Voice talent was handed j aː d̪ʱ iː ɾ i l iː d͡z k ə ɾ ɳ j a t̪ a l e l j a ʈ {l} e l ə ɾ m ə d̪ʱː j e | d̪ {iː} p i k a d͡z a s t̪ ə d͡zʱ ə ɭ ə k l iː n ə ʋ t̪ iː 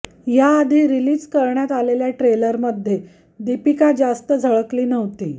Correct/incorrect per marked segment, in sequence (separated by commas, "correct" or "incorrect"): incorrect, incorrect